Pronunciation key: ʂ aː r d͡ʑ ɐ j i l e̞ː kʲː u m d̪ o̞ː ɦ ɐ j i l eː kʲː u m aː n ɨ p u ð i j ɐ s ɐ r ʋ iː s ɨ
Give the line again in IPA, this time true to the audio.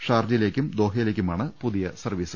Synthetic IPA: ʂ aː r d͡ʑ ɐ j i l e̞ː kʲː u m d̪ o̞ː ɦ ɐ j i l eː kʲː u m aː ɳ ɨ p u ð i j ɐ s ɐ r ʋ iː s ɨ